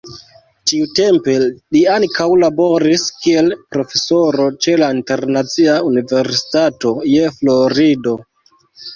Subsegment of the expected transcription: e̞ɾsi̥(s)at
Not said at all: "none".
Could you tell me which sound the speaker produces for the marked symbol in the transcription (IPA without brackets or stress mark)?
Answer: t